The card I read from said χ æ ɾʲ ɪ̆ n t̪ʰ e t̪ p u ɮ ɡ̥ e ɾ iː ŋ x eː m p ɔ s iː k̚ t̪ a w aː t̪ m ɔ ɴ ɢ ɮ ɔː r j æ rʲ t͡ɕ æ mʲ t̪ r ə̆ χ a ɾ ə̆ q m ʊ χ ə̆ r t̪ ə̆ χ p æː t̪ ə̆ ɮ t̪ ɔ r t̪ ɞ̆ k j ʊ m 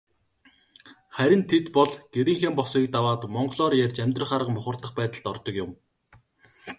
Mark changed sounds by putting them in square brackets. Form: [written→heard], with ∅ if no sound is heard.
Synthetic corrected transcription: χ æ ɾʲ ɪ̆ n t̪ʰ e t̪ p [u→ɔ] ɮ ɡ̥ e ɾ iː ŋ x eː m p ɔ s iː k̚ t̪ a w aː t̪ m ɔ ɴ ɢ ɮ ɔː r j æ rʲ t͡ɕ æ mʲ t̪ r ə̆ χ a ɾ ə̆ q m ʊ χ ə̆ r t̪ ə̆ χ p æː t̪ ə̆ ɮ t̪ ɔ r t̪ ɞ̆ k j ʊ m